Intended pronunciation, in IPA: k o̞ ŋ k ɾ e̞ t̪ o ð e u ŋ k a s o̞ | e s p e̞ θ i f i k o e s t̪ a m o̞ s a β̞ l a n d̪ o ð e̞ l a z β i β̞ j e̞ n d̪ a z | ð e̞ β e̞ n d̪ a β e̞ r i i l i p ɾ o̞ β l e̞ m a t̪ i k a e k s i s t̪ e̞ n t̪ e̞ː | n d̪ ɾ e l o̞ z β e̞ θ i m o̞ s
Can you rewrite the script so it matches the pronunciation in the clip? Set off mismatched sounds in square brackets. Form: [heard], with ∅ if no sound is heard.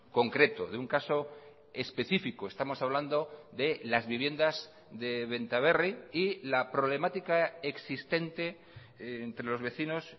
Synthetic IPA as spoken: k o̞ ŋ k ɾ e̞ t̪ o ð e u ŋ k a s o̞ | e s p e̞ θ i f i k o e s t̪ a m o̞ s a β̞ l a n d̪ o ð e̞ l a z β i β̞ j e̞ n d̪ a z | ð e̞ β e̞ n [t̪] a β e̞ r i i l [a] p ɾ o̞ β l e̞ m a t̪ i k a e k s i s t̪ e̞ n t̪ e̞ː | n [t̪] ɾ e l o̞ z β e̞ θ i [n] o̞ s